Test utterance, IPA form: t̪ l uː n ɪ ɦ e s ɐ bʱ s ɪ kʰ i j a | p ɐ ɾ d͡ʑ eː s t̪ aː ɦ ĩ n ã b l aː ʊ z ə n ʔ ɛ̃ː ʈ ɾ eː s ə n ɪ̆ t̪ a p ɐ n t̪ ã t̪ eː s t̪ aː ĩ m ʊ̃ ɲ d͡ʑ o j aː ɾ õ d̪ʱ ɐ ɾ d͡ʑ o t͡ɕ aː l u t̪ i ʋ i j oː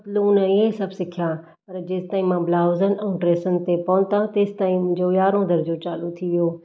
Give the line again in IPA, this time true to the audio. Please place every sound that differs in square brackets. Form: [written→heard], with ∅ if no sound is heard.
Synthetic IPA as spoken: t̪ l uː n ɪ ɦ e s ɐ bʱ s ɪ kʰ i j a | p ɐ ɾ d͡ʑ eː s t̪ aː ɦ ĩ [n→m] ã b l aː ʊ z ə n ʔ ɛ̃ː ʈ ɾ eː s ə n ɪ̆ t̪ [a→e] p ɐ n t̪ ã t̪ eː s t̪ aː ĩ m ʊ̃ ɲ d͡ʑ o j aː ɾ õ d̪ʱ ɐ ɾ d͡ʑ o t͡ɕ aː l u [t̪→t̪ʰ] i ʋ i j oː